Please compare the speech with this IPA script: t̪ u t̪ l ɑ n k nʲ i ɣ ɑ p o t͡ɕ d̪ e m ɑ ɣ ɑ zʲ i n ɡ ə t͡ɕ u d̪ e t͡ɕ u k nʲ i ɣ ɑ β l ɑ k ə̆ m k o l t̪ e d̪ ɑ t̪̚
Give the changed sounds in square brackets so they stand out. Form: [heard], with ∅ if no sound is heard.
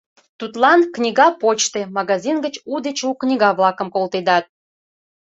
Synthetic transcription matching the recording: t̪ u t̪ l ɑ n k nʲ i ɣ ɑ p o t͡ɕ [t̪] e m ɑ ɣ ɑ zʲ i n ɡ ə t͡ɕ u d̪ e t͡ɕ u k nʲ i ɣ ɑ β l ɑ k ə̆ m k o l t̪ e d̪ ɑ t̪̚